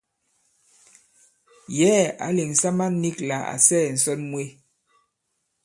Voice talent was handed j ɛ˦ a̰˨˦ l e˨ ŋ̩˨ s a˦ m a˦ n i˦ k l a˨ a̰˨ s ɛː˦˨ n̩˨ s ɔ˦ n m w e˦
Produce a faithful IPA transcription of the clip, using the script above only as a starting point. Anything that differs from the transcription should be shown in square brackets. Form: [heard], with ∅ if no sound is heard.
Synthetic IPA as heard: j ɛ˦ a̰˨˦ l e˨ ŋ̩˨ s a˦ m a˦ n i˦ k l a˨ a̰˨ s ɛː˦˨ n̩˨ s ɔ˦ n m w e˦